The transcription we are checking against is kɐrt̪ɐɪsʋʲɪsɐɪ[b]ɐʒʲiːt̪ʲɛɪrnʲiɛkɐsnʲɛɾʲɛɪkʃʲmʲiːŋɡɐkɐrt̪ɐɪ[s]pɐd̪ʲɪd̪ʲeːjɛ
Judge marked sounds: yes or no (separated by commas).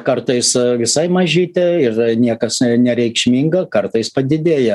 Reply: no, yes